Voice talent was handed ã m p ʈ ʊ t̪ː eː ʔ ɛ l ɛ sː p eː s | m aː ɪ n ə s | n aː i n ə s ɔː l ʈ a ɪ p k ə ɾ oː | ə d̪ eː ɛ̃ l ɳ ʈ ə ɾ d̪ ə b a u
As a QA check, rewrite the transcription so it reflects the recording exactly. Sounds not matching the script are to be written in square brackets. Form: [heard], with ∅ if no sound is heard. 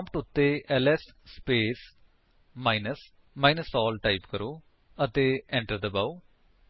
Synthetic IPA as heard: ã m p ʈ ʊ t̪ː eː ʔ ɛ l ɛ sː p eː s | m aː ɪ n ə s | [m] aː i n ə s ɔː l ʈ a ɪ p k ə ɾ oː | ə [t̪] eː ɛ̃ [∅] ɳ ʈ ə ɾ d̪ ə b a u